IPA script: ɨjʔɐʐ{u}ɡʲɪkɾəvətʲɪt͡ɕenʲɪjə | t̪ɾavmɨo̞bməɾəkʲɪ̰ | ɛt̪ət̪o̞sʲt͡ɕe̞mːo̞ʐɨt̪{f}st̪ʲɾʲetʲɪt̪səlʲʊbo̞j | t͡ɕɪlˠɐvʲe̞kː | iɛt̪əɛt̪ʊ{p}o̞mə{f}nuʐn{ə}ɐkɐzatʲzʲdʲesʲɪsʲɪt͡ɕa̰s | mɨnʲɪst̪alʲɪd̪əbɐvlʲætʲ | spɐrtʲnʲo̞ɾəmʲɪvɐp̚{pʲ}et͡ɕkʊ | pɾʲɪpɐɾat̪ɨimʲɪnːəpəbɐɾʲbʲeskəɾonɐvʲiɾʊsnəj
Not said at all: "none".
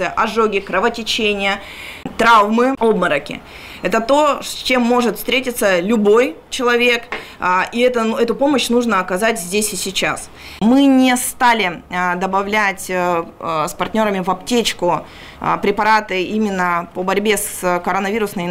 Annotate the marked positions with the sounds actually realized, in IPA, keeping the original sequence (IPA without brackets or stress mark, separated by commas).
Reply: o, f, p, ɕ, ə, tʲ